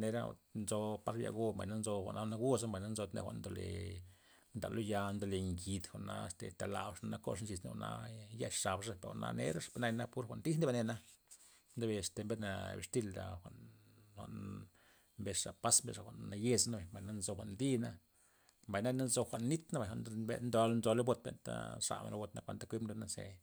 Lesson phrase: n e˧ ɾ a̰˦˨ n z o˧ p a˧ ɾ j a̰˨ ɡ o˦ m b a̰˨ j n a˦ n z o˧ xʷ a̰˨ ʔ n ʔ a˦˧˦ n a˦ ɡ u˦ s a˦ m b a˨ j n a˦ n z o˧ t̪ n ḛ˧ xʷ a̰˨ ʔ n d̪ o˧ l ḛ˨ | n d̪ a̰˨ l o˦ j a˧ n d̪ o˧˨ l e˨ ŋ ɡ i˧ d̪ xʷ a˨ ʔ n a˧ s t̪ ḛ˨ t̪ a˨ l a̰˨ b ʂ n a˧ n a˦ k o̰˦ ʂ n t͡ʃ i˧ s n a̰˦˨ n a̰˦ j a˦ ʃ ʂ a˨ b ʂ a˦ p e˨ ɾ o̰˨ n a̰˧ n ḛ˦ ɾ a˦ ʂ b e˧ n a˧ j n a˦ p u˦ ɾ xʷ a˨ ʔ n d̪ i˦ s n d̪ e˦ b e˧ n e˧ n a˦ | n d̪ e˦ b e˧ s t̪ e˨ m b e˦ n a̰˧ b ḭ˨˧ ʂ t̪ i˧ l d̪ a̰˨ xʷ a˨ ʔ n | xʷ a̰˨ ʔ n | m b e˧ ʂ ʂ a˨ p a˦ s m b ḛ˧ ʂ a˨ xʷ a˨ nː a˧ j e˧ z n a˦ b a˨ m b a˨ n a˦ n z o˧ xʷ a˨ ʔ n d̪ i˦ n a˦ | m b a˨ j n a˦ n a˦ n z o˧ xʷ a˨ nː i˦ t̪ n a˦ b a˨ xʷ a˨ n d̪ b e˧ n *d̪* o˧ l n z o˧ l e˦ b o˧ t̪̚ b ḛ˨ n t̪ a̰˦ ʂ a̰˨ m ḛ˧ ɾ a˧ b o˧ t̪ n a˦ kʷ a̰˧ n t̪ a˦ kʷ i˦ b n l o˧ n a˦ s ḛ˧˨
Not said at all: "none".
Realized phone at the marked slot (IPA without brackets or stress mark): d̪